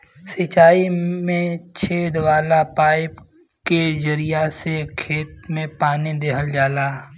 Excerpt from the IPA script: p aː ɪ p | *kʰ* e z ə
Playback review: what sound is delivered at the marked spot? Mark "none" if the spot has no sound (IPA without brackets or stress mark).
k